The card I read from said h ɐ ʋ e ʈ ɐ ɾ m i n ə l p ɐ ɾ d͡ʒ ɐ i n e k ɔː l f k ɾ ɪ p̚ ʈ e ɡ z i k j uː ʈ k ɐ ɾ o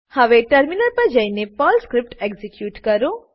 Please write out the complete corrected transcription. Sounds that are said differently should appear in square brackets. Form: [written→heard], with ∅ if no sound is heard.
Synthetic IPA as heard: h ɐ ʋ e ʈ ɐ ɾ m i n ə [l→ɾ] p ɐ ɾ d͡ʒ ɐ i n e [k→p] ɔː l [f→s] k ɾ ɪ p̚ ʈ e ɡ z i k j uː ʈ k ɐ ɾ o